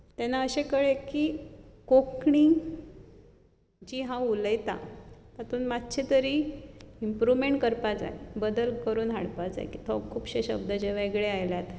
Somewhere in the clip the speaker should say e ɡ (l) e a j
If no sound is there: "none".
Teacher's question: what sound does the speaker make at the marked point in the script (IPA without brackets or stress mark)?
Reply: ɭ